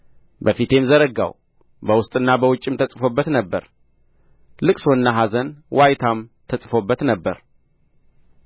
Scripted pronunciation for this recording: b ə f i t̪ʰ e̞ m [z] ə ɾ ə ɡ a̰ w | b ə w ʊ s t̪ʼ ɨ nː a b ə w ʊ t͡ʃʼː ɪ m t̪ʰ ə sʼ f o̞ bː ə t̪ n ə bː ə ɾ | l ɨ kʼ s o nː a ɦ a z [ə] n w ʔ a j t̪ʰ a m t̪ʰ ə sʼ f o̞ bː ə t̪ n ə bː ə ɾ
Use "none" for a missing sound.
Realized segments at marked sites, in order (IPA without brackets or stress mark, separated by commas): z, ə